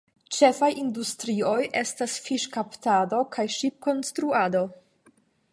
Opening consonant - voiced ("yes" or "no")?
no